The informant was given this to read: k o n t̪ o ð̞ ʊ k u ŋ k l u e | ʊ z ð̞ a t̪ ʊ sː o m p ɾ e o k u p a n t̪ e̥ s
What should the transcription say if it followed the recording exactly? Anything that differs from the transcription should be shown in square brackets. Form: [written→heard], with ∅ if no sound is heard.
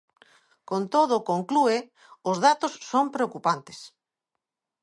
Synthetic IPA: k o n t̪ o ð̞ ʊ k [u→o] ŋ k l u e | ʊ z ð̞ a t̪ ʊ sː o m p ɾ e o k u p a n t̪ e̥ s